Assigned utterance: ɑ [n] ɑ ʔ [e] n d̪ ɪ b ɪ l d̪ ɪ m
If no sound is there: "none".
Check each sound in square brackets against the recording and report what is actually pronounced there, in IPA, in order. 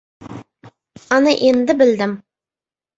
n, e

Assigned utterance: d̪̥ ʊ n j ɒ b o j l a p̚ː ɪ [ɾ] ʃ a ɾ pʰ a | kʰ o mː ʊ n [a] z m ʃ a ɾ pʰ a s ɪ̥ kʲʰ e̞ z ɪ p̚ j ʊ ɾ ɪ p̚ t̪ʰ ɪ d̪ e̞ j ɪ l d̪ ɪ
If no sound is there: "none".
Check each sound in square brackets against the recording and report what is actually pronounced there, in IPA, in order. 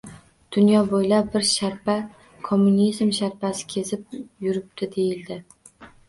ɾ, i

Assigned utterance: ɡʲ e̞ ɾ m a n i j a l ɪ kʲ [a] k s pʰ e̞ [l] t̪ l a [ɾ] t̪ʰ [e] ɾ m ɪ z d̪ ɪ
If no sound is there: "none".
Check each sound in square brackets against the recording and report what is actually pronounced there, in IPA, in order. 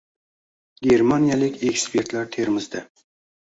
e, ɾ, ɾ, e

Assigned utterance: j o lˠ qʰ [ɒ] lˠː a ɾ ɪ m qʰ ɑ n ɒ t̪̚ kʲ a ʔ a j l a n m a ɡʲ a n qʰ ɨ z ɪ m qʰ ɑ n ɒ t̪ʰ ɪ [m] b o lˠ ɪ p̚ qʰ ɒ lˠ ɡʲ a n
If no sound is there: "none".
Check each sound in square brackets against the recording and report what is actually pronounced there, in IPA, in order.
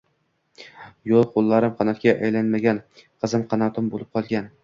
o, m

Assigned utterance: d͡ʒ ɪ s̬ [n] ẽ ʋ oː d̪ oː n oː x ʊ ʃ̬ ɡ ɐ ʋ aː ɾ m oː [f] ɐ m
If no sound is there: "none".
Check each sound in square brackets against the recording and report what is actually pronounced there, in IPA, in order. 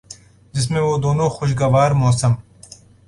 m, s

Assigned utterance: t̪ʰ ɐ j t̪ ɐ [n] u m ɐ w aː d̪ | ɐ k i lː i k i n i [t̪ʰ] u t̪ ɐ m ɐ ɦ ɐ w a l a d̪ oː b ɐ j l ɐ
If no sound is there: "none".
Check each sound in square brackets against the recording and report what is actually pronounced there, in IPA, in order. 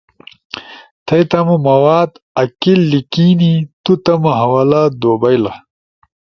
m, t̪

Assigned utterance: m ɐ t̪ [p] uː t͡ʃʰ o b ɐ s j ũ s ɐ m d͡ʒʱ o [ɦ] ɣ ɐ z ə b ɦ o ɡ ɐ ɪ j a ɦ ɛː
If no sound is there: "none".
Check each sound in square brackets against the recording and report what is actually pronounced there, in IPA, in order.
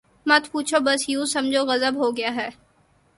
p, none

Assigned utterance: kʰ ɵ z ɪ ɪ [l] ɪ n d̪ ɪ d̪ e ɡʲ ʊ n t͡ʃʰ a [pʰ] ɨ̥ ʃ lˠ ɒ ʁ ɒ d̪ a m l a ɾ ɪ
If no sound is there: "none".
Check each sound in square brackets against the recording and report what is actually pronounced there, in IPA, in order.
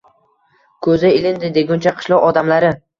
l, qʰ

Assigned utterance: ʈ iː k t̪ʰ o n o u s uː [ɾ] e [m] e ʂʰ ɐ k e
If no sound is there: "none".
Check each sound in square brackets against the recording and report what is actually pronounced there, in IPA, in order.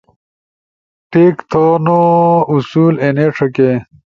l, n

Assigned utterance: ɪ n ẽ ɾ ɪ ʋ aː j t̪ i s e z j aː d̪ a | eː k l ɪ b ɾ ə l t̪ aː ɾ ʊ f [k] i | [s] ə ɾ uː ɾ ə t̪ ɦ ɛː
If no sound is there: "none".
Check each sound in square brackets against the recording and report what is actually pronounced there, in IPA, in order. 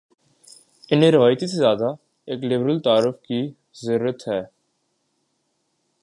k, z

